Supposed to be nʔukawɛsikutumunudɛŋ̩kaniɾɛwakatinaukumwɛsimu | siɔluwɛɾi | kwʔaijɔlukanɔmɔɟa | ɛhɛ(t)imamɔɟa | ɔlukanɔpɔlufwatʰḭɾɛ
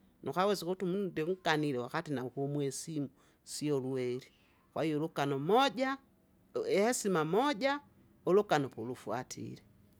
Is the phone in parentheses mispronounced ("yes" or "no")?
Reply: yes